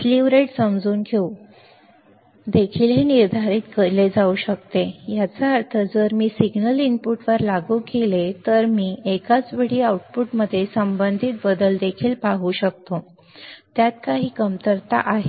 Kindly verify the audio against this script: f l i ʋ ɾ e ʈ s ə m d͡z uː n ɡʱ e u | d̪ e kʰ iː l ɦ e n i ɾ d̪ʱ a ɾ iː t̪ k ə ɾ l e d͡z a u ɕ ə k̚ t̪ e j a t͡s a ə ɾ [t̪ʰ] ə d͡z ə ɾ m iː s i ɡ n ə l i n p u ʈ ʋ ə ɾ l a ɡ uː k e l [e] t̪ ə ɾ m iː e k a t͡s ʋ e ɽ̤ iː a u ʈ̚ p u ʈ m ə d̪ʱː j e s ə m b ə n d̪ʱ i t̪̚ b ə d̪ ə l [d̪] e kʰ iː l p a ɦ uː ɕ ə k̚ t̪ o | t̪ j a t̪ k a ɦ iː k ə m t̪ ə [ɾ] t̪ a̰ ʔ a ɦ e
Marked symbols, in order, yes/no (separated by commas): yes, yes, yes, yes